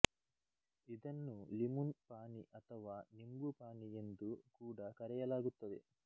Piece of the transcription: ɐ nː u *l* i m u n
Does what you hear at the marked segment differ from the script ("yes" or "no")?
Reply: no